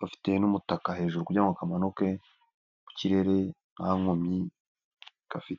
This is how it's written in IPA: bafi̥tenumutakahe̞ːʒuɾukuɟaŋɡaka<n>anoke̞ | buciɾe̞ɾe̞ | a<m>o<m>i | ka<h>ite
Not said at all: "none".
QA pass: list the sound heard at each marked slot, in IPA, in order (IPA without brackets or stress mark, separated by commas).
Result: m, ŋ, m, f